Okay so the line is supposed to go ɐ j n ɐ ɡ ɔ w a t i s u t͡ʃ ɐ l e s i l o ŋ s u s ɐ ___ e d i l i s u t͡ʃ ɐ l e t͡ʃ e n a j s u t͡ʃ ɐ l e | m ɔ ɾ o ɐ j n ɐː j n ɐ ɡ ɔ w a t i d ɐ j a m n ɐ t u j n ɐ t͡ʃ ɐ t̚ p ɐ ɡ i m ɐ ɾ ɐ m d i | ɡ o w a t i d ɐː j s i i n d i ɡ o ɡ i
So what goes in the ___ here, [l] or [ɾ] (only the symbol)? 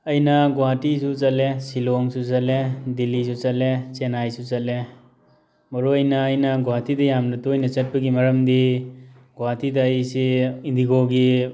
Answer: l